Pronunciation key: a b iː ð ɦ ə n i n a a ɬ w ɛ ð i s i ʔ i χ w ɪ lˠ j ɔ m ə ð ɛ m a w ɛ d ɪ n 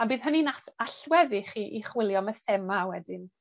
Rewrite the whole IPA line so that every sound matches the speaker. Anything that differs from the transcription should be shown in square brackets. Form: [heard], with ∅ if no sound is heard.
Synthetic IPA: a b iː ð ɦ ə n i n a a ɬ w ɛ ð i [χ] i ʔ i χ w ɪ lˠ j ɔ m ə [θ] ɛ m a w ɛ d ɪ n